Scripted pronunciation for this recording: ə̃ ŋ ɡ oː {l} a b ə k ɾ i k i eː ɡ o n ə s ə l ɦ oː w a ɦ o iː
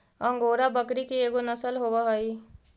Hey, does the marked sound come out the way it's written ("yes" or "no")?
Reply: no